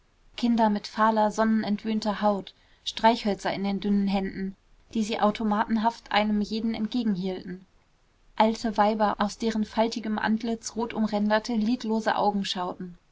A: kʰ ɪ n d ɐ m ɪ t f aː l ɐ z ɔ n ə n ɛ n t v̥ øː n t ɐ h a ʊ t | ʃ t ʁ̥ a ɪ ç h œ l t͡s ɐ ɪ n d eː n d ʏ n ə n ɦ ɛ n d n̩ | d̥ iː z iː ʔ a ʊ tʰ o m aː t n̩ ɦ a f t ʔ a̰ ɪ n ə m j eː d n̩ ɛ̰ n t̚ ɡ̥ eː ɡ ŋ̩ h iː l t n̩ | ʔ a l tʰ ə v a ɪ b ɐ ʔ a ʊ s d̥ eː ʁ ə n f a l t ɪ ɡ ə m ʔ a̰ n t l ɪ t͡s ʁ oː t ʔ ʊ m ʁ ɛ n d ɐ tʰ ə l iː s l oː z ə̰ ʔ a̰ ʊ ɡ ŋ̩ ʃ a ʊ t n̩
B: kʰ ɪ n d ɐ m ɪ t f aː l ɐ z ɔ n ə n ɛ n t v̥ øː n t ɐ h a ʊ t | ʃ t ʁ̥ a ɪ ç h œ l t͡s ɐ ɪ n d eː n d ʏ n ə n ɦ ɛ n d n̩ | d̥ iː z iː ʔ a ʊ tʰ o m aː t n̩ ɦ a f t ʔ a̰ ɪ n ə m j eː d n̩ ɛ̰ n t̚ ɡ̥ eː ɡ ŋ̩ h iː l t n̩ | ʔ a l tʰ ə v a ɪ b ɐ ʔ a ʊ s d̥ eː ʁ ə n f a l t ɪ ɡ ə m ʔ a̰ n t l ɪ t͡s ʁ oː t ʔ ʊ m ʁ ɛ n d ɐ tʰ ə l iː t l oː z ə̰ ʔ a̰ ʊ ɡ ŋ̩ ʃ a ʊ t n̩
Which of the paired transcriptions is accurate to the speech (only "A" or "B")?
B